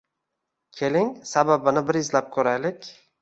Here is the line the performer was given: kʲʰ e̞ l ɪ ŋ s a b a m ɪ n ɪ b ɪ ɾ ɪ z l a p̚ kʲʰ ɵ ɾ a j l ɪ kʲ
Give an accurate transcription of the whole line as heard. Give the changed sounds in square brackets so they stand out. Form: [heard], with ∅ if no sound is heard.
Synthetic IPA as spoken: kʲʰ e̞ l ɪ ŋ s a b a [b] ɪ n ɪ b ɪ ɾ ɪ z l a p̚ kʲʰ ɵ ɾ a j l ɪ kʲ